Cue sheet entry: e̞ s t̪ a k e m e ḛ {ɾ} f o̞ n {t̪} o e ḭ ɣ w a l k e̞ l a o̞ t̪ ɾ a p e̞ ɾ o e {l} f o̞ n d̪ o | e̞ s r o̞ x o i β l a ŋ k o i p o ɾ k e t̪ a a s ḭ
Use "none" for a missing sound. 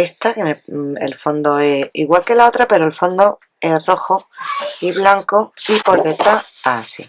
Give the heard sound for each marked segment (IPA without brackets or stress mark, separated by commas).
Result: l, d̪, l